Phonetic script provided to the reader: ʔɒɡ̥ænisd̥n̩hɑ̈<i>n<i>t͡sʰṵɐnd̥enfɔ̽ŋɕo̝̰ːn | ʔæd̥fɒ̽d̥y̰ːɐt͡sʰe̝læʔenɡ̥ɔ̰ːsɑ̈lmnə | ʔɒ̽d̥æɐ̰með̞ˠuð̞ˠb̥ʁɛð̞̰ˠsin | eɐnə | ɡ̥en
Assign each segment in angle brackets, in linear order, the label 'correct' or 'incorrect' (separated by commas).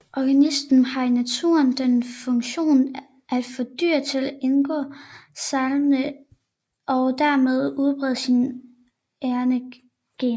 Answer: correct, incorrect